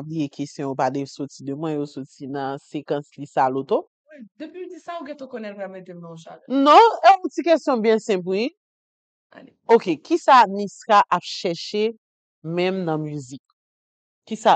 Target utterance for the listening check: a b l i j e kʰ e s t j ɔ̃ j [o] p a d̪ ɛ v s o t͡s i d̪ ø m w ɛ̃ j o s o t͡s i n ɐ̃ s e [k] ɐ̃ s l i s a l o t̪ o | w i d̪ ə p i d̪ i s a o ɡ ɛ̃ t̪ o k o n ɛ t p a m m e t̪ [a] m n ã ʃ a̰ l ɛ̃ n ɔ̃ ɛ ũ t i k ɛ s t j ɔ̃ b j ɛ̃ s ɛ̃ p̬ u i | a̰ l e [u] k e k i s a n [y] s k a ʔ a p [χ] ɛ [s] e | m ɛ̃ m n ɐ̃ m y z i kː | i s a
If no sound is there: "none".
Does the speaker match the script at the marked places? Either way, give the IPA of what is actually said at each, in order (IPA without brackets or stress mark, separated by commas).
o, k, e, o, i, ʃ, ʃ